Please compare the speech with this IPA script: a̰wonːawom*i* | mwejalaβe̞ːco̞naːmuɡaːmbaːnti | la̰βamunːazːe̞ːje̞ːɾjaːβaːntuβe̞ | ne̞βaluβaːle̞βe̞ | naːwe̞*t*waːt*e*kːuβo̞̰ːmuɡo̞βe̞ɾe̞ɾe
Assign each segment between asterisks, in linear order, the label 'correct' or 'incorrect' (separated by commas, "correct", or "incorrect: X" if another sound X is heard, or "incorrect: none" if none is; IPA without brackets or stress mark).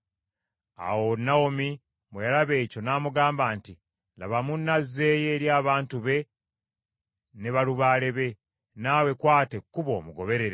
correct, incorrect: k, correct